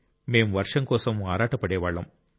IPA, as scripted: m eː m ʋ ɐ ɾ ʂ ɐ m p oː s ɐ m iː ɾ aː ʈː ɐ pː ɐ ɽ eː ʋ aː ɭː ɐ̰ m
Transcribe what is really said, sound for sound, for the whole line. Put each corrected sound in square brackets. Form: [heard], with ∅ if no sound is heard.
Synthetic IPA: m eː m ʋ ɐ ɾ ʂ ɐ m [k] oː s ɐ m [aː] ɾ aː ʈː ɐ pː ɐ ɽ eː ʋ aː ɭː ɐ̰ m